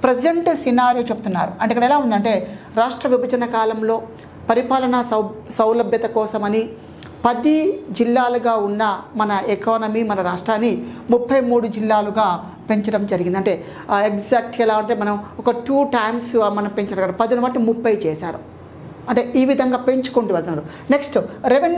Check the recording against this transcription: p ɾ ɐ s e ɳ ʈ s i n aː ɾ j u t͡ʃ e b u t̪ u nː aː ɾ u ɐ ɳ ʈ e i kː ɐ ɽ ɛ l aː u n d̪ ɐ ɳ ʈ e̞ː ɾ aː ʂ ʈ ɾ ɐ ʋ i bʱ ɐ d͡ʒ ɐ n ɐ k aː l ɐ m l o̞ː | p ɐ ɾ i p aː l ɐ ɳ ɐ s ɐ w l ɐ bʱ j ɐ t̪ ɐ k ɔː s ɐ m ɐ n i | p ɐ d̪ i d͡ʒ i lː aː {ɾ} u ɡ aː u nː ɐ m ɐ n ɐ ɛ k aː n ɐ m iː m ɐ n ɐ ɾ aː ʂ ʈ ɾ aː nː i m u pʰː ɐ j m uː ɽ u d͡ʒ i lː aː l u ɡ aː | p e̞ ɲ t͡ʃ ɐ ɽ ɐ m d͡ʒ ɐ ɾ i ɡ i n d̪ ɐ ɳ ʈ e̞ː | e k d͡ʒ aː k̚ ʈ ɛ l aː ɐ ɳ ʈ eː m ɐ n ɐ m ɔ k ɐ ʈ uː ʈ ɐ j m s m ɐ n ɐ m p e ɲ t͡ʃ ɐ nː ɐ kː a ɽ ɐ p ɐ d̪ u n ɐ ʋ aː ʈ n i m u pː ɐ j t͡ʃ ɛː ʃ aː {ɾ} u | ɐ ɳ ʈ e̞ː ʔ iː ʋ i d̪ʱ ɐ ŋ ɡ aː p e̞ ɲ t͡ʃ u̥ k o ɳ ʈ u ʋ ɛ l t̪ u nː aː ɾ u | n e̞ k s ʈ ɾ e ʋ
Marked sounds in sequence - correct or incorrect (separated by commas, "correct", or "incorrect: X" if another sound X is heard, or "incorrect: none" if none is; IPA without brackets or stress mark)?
incorrect: l, correct